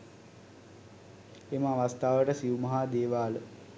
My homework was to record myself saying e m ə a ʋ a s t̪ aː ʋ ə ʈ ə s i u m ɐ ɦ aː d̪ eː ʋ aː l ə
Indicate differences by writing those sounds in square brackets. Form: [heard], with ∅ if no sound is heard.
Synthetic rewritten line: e m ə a ʋ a s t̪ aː ʋ ə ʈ ə s i u m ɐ ɦ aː d̪ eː ʋ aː l ə